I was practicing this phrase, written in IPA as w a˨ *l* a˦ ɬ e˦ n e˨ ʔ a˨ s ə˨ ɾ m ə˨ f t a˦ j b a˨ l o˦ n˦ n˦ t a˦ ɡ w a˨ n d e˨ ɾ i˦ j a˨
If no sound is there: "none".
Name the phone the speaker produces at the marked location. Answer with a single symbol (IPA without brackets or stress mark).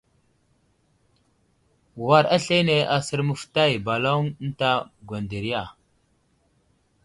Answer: ɾ